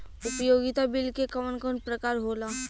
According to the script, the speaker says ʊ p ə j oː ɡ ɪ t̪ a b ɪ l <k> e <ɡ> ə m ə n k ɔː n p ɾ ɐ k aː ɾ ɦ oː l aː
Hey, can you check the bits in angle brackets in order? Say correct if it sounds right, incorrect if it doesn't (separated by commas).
correct, incorrect